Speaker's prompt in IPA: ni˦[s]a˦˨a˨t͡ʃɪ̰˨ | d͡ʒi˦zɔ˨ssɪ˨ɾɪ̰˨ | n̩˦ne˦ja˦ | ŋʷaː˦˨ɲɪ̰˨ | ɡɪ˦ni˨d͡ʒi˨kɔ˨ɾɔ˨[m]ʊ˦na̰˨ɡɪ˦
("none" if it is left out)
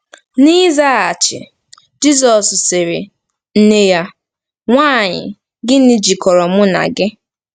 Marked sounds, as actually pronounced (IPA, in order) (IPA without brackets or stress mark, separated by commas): z, m